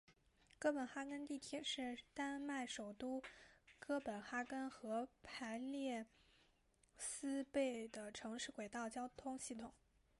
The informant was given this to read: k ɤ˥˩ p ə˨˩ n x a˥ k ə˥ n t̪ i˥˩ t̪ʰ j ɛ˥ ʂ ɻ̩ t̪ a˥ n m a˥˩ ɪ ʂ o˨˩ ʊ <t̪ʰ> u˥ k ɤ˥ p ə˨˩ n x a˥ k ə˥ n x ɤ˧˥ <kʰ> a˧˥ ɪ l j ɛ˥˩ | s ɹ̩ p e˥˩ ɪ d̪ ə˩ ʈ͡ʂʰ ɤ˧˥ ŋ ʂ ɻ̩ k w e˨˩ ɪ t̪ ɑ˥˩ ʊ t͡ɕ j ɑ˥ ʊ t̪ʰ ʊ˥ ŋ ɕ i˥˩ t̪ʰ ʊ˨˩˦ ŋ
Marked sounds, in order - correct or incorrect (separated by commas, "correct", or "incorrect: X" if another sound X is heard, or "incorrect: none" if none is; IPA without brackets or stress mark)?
incorrect: t̪, incorrect: pʰ